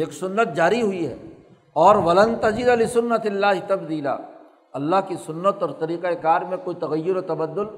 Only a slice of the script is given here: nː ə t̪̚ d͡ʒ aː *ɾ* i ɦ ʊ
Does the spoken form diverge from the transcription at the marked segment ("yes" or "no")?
no